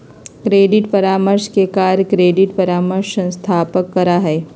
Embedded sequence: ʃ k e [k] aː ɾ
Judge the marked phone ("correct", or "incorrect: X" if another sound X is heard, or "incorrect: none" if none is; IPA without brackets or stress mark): correct